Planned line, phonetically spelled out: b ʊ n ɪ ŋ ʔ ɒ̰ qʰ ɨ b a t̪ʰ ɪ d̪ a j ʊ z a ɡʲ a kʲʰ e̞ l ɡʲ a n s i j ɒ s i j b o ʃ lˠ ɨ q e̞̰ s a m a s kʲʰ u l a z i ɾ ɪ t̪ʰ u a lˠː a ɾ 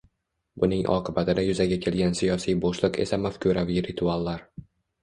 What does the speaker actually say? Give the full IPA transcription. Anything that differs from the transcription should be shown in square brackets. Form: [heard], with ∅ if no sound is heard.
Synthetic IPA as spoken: b ʊ n ɪ ŋ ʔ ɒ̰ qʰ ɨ b a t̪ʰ ɪ d̪ a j ʊ z a ɡʲ a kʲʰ e̞ l ɡʲ a n s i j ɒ s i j b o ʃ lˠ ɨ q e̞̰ s a m a [f] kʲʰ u [ɾ] a [v] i ɾ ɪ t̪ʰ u a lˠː a ɾ